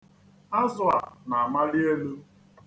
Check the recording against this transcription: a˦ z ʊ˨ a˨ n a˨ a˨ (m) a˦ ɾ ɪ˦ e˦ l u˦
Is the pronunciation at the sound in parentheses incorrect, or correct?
correct